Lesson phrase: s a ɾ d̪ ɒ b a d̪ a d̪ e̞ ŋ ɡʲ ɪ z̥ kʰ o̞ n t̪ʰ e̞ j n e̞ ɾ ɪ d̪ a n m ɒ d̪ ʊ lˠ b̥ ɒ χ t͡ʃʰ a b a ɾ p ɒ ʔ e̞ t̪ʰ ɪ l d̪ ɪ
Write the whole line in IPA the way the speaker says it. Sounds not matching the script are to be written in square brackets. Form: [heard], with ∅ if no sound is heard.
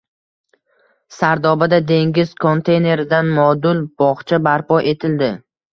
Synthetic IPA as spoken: s a ɾ d̪ ɒ b a d̪ a d̪ e̞ ŋ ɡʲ ɪ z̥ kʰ o̞ n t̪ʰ e̞ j n e̞ ɾ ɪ d̪ a n m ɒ d̪ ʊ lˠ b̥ ɒ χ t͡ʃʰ a b a ɾ p ɒ ʔ e̞ t̪ʰ ɪ l d̪ ɪ